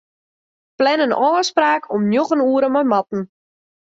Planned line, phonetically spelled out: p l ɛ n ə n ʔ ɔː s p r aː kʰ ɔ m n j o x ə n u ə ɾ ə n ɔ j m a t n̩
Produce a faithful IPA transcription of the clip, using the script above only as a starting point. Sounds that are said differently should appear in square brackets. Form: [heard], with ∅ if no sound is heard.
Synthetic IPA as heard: p l ɛ n ə n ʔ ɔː s p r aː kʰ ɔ m n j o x ə n u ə ɾ ə [m] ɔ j m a t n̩

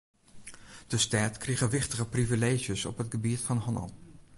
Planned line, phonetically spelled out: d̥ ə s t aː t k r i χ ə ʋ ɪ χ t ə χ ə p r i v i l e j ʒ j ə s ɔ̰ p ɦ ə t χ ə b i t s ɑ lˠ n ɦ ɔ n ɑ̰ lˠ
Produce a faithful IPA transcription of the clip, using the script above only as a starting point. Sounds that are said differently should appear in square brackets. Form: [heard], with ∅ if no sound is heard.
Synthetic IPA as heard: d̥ ə s t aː t k r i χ ə ʋ ɪ χ t ə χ ə p r i v i l e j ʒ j ə s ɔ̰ p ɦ ə t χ ə b i t [f] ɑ [∅] n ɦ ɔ n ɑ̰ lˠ

